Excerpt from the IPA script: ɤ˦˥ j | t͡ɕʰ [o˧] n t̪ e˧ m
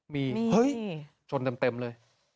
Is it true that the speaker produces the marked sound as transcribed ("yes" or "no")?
yes